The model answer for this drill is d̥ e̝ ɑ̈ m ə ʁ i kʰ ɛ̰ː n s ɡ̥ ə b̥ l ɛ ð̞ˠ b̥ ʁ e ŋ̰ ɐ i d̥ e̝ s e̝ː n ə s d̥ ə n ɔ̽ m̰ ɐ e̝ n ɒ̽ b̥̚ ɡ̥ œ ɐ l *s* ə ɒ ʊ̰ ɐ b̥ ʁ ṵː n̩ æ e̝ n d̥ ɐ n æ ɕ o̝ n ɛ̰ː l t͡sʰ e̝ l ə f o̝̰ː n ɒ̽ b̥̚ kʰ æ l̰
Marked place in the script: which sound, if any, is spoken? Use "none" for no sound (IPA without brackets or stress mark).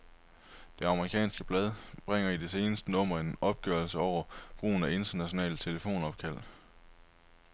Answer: s